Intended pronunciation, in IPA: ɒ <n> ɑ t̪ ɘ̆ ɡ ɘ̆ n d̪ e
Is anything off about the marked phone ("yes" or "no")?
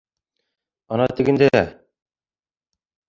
no